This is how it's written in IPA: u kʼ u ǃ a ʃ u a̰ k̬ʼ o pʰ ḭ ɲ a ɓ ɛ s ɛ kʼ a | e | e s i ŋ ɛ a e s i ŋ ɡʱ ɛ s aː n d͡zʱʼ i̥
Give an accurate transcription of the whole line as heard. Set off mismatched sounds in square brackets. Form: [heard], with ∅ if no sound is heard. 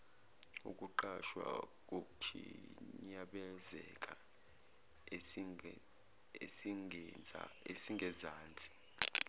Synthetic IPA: u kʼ u ǃ a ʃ [w] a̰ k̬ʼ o [kʰ] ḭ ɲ a ɓ ɛ [z] ɛ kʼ a | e | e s i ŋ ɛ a e s i ŋ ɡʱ ɛ [z] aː n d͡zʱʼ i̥